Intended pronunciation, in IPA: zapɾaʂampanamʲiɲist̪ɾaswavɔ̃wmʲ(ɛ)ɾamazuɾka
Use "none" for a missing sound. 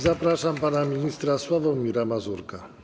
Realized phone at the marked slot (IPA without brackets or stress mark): i